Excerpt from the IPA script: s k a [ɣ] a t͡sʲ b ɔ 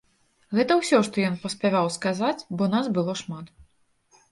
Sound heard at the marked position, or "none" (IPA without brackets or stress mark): z